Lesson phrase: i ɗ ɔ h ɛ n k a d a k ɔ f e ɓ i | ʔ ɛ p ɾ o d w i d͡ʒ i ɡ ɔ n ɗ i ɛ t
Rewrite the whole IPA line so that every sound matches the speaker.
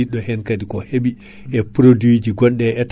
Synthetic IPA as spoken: i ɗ ɔ h ɛ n k a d i k ɔ h e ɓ i | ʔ ɛ p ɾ o d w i d͡ʒ i ɡ ɔ n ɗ ɛ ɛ t